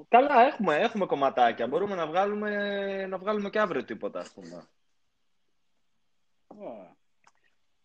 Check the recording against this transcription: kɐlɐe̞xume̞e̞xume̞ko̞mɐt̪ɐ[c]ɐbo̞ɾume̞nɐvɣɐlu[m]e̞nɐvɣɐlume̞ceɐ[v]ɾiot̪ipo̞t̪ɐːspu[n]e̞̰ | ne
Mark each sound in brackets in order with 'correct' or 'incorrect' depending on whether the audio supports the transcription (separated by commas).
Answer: correct, correct, correct, incorrect